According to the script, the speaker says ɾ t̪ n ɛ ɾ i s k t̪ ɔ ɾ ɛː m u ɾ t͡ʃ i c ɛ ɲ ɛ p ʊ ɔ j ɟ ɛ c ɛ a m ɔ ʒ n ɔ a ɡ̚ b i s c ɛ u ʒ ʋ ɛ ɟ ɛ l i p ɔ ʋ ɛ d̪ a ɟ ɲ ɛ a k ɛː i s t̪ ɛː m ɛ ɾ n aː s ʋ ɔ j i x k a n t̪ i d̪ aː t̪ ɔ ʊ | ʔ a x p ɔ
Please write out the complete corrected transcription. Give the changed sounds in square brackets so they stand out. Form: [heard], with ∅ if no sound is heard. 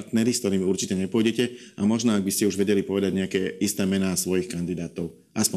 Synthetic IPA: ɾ t̪ n ɛ ɾ i s k t̪ ɔ ɾ [iː] m u ɾ t͡ʃ i c ɛ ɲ ɛ p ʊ ɔ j ɟ ɛ c ɛ a m ɔ ʒ n ɔ a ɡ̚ b i s c ɛ u ʒ ʋ ɛ ɟ ɛ l i p ɔ ʋ ɛ d̪ a ɟ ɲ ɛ a k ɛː i s t̪ ɛː m ɛ [∅] n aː s ʋ ɔ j i x k a n [d̪] i d̪ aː t̪ ɔ ʊ | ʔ a [s] p ɔ